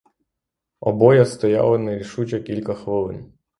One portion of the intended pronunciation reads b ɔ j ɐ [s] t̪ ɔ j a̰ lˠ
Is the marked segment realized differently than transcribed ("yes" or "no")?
no